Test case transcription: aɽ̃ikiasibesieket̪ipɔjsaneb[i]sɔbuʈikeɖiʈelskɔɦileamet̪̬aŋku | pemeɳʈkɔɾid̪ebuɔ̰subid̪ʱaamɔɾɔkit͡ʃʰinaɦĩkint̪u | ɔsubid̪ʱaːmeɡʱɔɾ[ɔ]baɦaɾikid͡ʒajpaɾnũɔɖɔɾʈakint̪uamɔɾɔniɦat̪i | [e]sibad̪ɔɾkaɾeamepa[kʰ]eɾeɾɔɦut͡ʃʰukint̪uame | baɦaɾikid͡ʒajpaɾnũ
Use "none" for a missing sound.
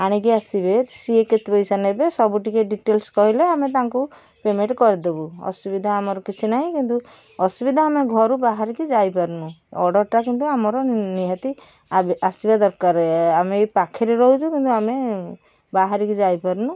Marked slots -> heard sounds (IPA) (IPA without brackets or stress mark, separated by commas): e, u, a, kʰ